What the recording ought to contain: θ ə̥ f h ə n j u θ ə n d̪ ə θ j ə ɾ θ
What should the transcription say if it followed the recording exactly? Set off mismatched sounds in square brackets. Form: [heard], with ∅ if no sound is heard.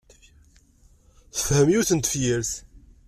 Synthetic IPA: θ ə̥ f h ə [m] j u θ ə n [t̪] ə [f] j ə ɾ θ